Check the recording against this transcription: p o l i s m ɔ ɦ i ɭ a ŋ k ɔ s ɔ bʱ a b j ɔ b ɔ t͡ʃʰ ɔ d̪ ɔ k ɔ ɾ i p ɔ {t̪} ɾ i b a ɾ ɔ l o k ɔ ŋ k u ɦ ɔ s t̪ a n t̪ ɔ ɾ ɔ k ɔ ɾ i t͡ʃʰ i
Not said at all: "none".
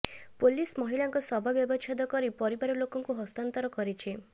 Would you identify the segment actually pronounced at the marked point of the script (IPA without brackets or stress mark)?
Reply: none